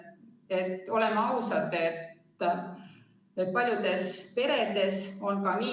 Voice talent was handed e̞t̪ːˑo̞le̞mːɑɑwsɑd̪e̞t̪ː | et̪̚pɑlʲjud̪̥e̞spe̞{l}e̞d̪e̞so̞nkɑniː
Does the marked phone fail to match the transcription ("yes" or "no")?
yes